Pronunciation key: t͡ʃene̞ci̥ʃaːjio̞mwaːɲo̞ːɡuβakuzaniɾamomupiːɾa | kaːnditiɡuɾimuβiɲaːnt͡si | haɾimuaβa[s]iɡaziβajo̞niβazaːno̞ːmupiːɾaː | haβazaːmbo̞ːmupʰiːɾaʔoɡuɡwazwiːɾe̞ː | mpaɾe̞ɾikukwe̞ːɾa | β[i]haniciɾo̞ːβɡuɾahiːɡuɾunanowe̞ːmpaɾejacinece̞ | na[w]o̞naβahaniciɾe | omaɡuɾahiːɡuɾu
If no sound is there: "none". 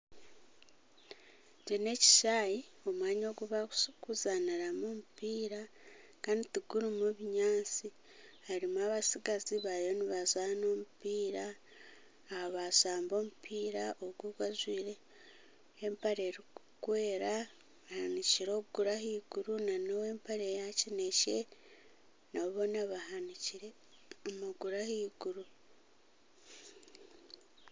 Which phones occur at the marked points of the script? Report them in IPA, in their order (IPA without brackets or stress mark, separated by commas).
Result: s, a, β